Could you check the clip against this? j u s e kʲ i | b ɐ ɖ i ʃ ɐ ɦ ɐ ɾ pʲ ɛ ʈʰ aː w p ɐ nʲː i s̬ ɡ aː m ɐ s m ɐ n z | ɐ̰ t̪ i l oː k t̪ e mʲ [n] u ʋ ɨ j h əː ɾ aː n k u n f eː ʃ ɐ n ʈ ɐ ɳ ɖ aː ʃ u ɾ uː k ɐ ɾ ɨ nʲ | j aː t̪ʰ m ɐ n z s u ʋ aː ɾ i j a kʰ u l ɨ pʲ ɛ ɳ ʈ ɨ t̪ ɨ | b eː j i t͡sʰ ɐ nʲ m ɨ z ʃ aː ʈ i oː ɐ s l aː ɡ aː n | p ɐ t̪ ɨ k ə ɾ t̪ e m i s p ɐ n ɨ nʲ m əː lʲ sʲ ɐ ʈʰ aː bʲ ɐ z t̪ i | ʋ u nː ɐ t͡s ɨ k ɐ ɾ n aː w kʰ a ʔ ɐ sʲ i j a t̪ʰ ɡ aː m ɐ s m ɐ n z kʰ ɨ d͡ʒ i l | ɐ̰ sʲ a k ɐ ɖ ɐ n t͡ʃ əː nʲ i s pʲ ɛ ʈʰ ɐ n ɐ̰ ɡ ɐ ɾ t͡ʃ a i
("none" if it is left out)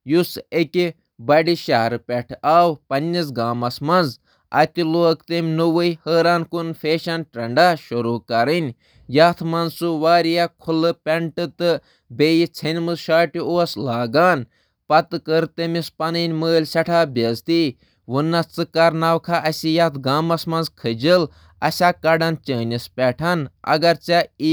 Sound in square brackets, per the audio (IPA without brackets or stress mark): n